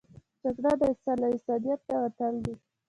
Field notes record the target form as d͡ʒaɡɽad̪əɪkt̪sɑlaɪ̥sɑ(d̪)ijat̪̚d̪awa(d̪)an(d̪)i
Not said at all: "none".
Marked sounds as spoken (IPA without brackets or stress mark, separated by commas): d̪, t̪, d̪